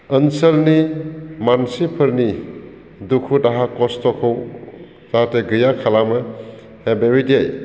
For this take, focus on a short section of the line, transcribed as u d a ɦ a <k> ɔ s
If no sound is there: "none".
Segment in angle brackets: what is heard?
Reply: k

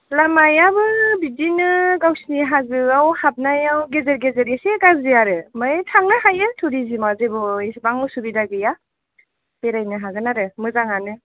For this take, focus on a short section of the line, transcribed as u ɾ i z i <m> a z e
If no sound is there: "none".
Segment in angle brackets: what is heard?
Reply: m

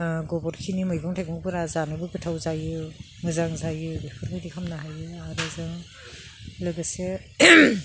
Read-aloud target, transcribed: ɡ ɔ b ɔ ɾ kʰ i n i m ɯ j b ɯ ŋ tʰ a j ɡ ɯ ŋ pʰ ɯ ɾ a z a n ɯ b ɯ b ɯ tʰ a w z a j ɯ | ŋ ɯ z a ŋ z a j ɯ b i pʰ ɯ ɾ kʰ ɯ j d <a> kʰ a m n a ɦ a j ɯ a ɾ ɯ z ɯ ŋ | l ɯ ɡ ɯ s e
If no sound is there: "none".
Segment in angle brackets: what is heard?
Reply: i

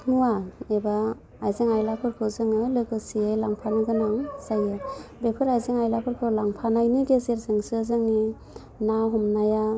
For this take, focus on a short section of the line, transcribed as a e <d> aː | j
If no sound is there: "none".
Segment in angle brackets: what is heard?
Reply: b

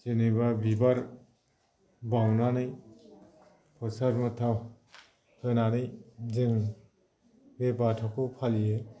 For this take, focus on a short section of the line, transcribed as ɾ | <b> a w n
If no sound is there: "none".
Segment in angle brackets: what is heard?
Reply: b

